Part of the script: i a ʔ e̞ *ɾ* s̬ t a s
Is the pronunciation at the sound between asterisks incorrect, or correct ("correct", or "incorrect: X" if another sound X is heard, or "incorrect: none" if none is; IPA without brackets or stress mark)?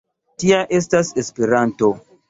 incorrect: none